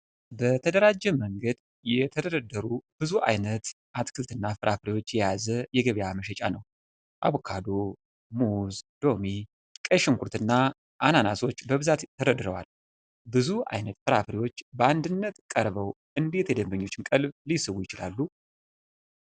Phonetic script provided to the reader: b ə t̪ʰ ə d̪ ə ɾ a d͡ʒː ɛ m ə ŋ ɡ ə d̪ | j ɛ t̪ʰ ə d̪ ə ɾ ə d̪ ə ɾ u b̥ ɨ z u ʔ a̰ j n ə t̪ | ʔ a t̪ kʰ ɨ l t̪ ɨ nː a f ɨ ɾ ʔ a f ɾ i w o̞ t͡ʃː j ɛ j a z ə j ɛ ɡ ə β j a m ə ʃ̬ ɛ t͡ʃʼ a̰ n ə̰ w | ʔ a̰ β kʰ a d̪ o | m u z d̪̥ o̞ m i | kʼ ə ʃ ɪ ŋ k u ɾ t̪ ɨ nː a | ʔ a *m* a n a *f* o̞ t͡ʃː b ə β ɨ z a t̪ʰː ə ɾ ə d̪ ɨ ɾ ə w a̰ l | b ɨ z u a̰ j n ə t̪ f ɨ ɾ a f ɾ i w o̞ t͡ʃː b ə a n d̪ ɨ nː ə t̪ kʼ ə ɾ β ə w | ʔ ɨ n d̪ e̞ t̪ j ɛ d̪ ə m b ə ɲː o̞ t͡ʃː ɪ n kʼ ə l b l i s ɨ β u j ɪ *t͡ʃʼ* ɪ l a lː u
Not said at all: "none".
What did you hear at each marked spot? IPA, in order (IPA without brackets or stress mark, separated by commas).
n, s, t͡ʃ